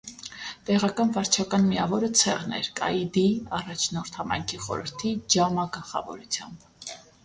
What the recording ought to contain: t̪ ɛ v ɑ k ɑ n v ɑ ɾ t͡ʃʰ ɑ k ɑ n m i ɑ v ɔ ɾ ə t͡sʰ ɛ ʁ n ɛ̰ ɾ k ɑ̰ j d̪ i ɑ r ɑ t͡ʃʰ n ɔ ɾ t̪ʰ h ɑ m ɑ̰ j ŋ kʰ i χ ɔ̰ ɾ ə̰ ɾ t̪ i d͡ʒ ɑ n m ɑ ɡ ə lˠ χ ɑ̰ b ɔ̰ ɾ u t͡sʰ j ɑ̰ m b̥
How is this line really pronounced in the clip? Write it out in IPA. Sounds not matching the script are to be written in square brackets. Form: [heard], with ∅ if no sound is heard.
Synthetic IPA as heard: t̪ ɛ [ʁ] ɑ k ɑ n v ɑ ɾ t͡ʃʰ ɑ k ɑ n m i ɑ v ɔ ɾ ə t͡sʰ ɛ ʁ n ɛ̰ ɾ k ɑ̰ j d̪ i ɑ r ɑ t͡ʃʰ n ɔ ɾ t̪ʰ h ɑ m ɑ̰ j ŋ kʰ i χ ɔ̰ ɾ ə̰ ɾ [t̪ʰ] i d͡ʒ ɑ [∅] m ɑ ɡ ə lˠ χ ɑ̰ [v] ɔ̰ ɾ u t͡sʰ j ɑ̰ m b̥